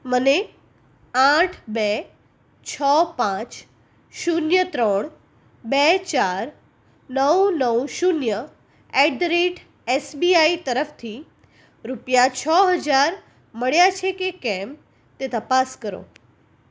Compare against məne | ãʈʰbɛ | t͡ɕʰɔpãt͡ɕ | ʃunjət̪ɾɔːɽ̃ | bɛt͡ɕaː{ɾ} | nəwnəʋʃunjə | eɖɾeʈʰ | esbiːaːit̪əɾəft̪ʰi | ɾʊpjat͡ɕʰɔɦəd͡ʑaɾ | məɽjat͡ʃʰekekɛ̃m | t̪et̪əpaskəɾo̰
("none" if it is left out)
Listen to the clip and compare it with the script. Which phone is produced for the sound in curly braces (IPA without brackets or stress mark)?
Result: ɾ